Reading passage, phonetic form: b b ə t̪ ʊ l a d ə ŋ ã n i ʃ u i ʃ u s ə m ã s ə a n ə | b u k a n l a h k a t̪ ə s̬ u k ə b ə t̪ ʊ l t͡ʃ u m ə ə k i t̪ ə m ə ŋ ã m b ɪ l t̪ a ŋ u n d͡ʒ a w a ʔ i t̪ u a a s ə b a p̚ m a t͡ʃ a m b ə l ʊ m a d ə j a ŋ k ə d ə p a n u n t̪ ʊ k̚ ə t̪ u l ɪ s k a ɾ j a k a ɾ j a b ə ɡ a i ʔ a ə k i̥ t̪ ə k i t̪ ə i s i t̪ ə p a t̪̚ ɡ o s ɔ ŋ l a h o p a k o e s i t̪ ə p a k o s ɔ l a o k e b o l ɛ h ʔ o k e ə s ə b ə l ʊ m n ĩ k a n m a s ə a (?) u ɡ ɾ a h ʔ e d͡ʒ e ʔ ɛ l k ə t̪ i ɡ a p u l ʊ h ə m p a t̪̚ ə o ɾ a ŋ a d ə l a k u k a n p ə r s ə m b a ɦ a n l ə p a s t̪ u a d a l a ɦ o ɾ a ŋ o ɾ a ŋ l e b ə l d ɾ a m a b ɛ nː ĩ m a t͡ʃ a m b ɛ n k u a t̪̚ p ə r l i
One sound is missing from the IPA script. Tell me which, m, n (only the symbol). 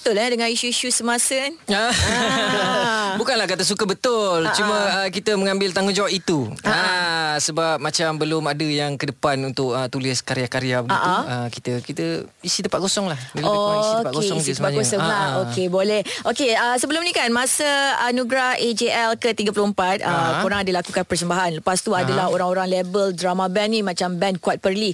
n